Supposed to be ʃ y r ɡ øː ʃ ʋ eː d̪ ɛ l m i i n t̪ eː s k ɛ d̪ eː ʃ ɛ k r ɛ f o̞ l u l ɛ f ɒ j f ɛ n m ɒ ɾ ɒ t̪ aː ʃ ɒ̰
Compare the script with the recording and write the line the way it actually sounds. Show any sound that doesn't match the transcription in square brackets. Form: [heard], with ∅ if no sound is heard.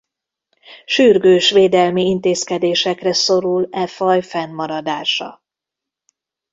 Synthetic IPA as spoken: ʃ y r ɡ øː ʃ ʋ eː d̪ ɛ l m i i n t̪ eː s k ɛ d̪ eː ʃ ɛ k r ɛ [s] o̞ [ɾ] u l ɛ f ɒ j f ɛ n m ɒ ɾ ɒ [d̪] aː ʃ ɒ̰